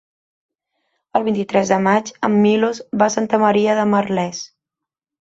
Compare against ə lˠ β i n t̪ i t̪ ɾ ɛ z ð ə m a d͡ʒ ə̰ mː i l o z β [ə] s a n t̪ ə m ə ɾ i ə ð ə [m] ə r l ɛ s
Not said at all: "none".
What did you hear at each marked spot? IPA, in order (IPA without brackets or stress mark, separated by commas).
a, m